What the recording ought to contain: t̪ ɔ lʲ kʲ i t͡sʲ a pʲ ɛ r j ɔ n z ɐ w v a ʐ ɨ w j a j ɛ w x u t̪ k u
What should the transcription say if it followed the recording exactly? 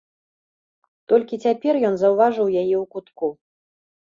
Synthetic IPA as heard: t̪ ɔ lʲ kʲ i t͡sʲ a pʲ ɛ r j ɔ n z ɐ w v a ʐ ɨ w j a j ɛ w k u t̪ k u